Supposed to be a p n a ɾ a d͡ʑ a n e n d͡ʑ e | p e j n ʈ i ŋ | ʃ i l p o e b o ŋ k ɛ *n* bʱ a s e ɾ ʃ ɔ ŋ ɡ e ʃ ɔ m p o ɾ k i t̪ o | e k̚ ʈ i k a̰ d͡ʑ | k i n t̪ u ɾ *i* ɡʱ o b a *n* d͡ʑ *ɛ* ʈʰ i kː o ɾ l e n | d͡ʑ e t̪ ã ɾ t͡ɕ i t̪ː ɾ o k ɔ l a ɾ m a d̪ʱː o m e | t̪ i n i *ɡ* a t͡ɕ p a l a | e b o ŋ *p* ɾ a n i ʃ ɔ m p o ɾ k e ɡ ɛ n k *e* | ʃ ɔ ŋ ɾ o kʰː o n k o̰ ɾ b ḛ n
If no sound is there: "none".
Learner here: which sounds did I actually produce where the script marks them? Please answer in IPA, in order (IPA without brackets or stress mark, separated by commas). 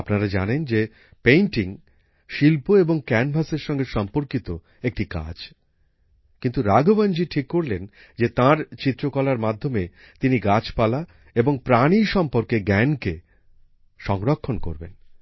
n, a, n, i, ɡ, p, e